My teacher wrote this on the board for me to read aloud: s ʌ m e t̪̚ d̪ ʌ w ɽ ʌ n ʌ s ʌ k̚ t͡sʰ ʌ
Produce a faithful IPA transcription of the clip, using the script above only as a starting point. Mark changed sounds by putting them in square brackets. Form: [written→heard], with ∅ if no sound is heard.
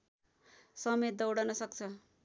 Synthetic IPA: s ʌ m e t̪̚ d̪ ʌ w ɽ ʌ n ʌ s ʌ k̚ t͡sʰ ʌ